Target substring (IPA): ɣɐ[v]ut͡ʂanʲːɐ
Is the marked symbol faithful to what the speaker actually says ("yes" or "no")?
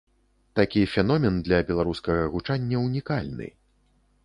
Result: no